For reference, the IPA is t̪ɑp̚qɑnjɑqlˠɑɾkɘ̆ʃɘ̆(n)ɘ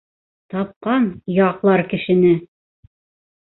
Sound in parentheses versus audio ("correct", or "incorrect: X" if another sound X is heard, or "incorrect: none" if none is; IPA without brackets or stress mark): correct